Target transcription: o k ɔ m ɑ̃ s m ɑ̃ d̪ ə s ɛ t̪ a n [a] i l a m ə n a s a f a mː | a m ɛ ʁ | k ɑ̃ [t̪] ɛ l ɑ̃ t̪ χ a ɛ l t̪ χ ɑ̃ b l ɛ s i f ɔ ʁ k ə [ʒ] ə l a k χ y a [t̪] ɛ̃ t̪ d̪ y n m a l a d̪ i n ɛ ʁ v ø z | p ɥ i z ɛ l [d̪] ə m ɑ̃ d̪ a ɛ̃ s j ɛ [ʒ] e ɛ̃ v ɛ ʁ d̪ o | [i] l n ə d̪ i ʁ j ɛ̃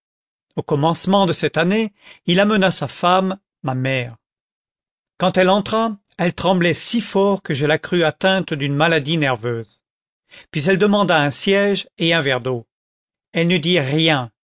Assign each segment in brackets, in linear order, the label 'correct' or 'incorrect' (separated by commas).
incorrect, correct, correct, correct, correct, correct, incorrect